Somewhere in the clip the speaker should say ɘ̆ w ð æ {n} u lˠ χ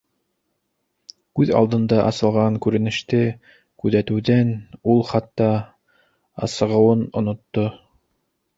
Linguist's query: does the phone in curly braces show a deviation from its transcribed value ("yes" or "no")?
no